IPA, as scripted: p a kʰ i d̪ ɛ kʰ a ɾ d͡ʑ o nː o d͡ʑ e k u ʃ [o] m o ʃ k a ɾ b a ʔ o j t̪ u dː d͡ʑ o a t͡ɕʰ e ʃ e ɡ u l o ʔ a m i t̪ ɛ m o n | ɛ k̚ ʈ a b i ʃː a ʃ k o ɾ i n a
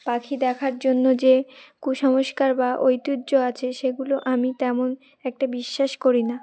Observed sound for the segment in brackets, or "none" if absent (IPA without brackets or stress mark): ɔ